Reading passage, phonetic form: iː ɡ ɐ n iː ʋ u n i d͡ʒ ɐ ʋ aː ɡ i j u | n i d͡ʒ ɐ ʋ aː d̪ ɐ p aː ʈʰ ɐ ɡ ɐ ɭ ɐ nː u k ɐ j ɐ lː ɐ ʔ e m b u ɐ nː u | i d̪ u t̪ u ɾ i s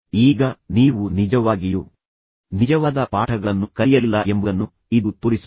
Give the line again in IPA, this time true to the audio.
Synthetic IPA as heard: iː ɡ ɐ n iː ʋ u n i d͡ʒ ɐ ʋ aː ɡ i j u | n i d͡ʒ ɐ ʋ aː d̪ ɐ p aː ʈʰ ɐ ɡ ɐ ɭ ɐ nː u k ɐ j ɐ lː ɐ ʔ e m b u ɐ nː u | i d̪ u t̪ u ɾ i s